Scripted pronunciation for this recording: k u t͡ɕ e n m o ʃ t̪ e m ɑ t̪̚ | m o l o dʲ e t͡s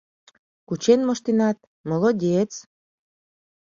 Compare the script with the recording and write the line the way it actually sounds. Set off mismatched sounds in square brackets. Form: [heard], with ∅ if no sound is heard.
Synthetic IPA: k u t͡ɕ e n m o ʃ t̪ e [n] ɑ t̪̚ | m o l o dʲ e t͡s